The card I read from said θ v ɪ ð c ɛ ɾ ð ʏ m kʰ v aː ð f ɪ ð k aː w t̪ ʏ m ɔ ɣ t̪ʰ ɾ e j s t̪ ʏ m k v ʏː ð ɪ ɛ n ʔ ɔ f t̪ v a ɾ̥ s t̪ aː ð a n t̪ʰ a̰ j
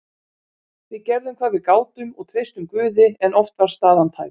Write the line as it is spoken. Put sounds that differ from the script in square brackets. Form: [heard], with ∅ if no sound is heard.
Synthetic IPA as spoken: θ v ɪ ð c ɛ ɾ ð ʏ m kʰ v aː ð [v] ɪ ð k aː w t̪ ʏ m ɔ ɣ t̪ʰ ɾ e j s t̪ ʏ m k v ʏː ð ɪ ɛ n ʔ ɔ f t̪ v a ɾ̥ s t̪ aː ð a n t̪ʰ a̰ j